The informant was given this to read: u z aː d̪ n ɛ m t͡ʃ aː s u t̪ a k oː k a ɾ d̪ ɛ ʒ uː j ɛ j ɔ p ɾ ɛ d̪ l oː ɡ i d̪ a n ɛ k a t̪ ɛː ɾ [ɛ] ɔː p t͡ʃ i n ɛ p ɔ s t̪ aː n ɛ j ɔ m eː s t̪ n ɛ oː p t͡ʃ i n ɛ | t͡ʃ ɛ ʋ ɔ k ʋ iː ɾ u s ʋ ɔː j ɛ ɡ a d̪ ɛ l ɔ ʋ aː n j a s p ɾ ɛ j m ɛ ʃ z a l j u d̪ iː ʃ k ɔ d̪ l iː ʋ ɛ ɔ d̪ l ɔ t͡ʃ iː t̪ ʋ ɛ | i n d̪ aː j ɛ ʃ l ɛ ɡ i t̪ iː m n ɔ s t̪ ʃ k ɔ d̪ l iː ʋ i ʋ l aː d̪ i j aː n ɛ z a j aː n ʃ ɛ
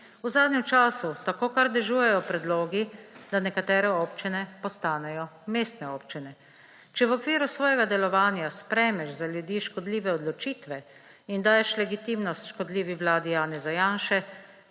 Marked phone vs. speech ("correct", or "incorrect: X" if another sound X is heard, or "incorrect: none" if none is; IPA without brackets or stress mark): correct